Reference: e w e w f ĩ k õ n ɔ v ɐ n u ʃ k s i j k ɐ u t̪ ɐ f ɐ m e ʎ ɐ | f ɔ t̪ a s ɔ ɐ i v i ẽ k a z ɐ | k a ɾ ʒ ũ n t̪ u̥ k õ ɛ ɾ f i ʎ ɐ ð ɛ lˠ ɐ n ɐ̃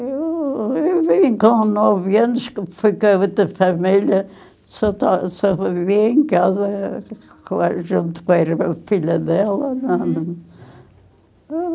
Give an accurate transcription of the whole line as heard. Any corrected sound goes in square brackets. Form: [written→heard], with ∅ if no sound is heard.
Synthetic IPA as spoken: e w e w [f→v] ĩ k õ n ɔ v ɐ n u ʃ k [s→f] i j k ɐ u t̪ ɐ f ɐ m [e→i] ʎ ɐ | [f→s] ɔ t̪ a s ɔ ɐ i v i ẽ k a z ɐ | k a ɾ ʒ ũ n t̪ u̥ k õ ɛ ɾ f i ʎ ɐ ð ɛ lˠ ɐ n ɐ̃